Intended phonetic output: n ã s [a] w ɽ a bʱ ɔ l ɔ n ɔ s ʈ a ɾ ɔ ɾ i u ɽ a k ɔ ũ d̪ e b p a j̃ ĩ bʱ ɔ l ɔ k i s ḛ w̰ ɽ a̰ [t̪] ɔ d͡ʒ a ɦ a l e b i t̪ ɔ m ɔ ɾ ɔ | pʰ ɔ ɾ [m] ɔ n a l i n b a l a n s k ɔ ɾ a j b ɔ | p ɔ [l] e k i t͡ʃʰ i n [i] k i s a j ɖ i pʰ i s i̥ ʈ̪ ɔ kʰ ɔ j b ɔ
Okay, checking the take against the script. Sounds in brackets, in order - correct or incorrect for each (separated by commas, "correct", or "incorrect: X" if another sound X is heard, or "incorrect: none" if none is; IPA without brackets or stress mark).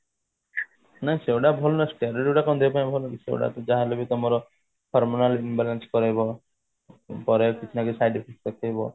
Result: incorrect: e, correct, correct, incorrect: ɾ, incorrect: a